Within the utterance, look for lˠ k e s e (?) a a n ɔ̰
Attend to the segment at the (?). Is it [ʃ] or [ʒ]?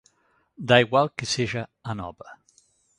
ʒ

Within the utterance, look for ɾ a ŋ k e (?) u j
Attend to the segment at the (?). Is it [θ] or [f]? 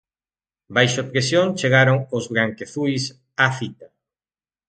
θ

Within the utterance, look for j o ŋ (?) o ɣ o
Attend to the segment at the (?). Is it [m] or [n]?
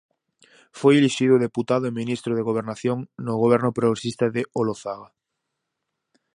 n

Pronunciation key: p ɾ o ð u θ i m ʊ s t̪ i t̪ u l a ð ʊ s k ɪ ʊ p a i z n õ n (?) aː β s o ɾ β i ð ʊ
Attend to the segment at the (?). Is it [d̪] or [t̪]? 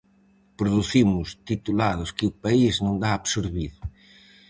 d̪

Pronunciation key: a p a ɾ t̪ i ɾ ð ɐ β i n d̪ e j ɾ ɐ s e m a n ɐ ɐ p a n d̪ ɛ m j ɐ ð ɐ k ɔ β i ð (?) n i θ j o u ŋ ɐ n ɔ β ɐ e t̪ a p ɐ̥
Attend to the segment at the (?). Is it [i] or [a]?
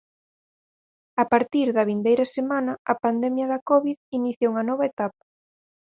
i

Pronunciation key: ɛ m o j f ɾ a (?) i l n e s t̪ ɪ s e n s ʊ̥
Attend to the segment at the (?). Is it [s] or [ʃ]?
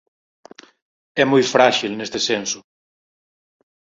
ʃ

